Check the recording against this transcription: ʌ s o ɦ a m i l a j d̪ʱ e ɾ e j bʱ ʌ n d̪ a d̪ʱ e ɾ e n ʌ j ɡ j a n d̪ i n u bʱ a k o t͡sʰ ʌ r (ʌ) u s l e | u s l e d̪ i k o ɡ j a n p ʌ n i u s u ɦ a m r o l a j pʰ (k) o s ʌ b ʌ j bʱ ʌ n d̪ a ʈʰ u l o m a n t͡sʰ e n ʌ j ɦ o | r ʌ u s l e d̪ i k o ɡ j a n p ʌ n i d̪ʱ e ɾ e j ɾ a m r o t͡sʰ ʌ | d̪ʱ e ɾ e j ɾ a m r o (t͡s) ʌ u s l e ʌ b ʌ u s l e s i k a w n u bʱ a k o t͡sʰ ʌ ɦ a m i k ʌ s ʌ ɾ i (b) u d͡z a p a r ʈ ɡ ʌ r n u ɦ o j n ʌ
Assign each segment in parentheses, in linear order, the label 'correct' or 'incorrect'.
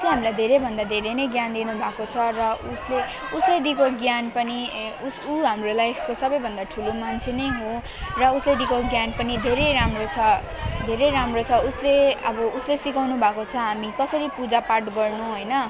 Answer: correct, correct, incorrect, incorrect

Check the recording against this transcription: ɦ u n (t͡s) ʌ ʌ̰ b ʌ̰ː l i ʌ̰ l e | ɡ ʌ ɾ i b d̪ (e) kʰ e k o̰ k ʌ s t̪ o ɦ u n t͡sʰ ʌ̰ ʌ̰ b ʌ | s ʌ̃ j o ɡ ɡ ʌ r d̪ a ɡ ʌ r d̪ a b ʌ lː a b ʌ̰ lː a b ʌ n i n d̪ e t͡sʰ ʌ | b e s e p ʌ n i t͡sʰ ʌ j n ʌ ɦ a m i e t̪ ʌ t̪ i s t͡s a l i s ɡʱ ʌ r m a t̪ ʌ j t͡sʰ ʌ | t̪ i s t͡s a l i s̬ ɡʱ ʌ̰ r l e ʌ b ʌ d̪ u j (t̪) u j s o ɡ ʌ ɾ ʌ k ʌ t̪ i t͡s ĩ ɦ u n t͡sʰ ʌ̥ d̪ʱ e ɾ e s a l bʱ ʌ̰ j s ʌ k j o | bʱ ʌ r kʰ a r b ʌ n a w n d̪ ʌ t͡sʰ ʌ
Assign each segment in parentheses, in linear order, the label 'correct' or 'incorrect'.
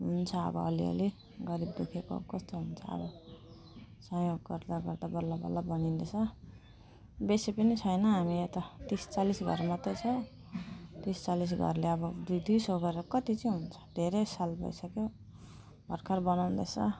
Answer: incorrect, correct, incorrect

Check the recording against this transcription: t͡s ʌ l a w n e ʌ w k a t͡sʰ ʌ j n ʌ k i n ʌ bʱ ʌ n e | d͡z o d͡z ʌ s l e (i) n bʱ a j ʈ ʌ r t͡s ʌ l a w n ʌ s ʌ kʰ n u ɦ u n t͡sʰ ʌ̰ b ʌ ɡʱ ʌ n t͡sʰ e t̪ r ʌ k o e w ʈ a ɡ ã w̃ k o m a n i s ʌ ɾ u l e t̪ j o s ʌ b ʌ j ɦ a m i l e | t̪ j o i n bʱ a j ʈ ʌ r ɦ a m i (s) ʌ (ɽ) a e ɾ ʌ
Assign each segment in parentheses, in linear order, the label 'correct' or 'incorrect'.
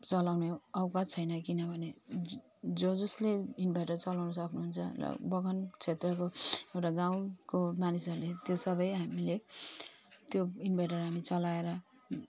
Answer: correct, incorrect, incorrect

